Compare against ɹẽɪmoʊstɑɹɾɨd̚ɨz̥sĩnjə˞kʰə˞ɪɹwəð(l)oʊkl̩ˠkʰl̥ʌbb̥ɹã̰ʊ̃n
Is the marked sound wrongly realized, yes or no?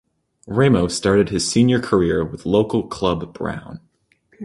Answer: no